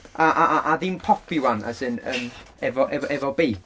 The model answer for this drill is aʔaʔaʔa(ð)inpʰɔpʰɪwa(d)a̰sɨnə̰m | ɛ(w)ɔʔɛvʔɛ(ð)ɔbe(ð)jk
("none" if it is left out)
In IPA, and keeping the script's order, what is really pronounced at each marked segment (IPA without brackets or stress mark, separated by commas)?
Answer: ð, n, v, v, none